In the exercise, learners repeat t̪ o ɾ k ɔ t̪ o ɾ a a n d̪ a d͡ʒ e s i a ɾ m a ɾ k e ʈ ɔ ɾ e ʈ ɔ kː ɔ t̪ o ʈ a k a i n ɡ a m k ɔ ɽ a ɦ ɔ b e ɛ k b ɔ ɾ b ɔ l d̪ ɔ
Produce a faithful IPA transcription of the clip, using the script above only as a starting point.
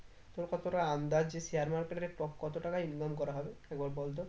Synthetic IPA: t̪ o ɾ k ɔ t̪ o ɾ a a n d̪ a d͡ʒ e s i a ɾ m a ɾ k e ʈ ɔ ɾ e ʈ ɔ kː ɔ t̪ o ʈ a k a i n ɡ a m k ɔ ɾ a ɦ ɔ b e ɛ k b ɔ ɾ b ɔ l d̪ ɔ